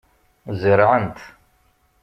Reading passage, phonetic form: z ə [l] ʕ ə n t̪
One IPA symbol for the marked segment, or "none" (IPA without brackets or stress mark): ɾ